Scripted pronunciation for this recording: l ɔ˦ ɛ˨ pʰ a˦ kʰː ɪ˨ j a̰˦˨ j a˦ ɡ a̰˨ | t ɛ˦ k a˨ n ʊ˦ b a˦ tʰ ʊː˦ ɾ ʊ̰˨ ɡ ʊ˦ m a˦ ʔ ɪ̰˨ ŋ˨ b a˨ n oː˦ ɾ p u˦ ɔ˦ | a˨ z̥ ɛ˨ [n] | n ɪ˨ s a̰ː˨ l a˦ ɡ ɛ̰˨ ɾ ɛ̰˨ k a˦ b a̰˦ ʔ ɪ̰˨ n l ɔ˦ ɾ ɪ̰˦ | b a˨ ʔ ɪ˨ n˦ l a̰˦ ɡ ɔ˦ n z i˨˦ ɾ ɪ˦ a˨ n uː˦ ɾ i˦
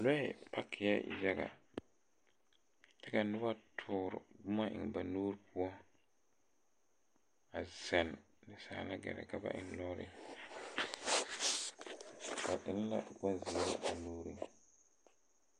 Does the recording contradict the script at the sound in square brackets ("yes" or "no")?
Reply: no